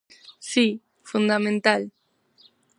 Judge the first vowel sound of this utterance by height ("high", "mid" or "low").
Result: high